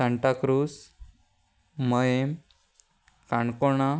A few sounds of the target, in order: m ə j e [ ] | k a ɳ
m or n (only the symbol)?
m